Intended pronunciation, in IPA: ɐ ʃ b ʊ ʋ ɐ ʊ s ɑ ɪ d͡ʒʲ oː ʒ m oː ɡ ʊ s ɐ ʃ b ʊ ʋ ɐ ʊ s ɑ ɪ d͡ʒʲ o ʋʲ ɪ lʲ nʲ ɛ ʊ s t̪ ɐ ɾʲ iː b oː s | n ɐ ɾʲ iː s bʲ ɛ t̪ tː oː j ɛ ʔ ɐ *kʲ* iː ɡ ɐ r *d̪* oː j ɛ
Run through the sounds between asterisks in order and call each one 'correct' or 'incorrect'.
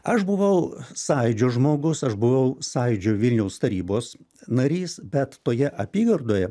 incorrect, correct

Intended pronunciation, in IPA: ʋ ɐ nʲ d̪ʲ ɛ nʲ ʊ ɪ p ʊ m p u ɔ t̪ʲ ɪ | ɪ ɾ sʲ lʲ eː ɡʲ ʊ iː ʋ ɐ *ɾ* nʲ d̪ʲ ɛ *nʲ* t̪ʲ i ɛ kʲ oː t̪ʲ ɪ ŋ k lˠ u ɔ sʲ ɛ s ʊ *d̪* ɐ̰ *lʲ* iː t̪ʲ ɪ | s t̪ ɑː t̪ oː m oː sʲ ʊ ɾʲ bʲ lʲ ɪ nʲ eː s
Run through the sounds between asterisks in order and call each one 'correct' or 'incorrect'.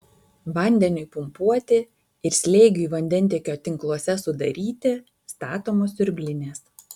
incorrect, correct, correct, incorrect

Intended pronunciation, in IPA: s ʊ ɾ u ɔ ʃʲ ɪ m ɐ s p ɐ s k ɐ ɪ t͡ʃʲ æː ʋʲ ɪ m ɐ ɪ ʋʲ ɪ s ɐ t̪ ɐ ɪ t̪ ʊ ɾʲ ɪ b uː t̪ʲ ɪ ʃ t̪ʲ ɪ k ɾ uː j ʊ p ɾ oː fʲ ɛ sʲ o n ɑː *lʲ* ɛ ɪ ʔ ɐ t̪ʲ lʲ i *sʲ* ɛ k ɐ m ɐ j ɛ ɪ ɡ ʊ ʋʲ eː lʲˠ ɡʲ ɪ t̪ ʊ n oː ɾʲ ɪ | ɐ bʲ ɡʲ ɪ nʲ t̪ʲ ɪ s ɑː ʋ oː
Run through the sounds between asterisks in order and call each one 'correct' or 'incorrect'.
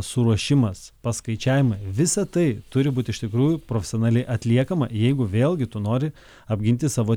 correct, incorrect

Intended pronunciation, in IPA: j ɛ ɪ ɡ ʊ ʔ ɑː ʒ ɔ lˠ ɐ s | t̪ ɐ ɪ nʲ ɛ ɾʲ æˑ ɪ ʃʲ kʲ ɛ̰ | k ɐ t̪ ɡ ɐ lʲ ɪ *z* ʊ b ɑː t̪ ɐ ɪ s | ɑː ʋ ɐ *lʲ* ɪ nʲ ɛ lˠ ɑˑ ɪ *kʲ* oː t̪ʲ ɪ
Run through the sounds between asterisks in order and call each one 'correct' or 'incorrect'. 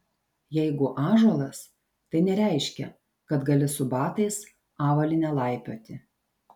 incorrect, correct, incorrect

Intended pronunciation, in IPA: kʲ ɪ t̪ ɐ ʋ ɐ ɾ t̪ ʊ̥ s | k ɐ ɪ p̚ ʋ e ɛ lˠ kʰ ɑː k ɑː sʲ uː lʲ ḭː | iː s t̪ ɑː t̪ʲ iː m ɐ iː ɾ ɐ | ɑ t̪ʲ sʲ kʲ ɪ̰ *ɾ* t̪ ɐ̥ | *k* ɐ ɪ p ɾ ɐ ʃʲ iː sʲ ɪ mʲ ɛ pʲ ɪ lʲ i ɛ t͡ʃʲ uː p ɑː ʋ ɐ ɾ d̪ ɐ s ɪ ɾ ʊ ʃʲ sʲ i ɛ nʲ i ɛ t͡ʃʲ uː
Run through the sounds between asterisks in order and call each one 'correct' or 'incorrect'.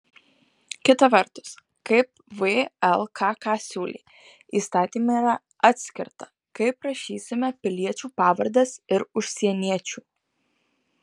correct, correct

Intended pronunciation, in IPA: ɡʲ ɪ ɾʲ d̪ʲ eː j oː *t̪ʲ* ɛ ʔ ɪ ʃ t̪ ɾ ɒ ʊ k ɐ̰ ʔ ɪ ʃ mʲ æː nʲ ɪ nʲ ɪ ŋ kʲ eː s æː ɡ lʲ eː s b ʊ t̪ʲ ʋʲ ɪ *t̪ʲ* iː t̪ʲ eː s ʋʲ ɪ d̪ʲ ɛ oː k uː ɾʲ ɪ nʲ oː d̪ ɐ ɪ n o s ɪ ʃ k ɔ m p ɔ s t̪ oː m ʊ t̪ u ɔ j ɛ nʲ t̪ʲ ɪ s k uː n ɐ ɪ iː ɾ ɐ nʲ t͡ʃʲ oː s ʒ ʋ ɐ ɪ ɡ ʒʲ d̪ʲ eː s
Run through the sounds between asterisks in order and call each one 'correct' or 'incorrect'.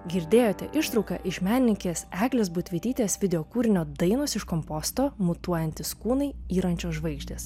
correct, correct

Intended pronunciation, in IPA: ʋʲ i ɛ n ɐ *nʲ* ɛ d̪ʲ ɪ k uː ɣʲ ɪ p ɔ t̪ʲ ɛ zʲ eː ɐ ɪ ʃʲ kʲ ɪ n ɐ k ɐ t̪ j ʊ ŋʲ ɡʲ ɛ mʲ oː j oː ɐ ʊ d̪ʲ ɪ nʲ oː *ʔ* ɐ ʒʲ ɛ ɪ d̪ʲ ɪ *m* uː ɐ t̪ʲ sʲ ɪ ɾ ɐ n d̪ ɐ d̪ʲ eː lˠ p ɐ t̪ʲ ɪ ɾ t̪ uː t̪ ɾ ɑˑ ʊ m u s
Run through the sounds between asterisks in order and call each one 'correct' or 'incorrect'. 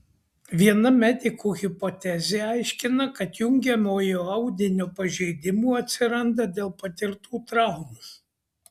incorrect, incorrect, correct

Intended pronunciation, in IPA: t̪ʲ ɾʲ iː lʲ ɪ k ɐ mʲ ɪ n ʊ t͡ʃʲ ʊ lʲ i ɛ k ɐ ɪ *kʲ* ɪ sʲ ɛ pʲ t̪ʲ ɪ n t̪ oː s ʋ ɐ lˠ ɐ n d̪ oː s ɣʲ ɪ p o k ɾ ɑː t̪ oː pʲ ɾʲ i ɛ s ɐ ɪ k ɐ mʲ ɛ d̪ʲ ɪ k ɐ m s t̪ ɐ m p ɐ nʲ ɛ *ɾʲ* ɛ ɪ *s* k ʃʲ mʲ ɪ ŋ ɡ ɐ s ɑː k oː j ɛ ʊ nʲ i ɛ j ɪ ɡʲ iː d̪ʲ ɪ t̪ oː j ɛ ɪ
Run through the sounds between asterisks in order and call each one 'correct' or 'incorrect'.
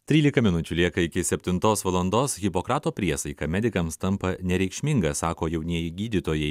correct, correct, incorrect

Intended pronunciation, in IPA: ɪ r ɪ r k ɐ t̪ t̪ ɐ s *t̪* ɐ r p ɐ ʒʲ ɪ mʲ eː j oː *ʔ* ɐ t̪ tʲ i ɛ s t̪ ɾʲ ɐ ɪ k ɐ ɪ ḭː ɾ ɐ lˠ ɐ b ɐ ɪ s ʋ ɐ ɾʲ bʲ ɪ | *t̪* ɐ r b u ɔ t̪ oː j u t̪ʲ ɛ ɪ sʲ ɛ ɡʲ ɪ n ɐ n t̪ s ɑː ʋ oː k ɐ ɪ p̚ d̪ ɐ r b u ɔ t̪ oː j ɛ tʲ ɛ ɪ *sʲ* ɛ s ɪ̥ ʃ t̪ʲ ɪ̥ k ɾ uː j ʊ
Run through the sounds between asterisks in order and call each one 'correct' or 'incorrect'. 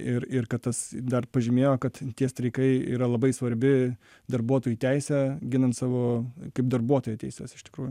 incorrect, incorrect, incorrect, correct

